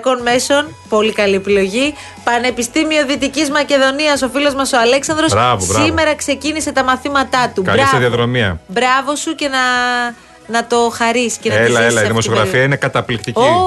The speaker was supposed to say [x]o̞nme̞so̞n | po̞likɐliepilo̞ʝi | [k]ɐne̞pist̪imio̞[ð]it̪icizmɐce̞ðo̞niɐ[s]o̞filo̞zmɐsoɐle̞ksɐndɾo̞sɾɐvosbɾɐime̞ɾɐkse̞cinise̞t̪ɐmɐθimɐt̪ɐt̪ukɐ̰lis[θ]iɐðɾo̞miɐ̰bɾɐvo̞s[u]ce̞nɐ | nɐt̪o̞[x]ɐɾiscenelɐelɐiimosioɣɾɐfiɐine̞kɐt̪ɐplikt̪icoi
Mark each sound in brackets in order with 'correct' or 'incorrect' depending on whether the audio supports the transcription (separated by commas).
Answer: incorrect, incorrect, correct, correct, incorrect, correct, correct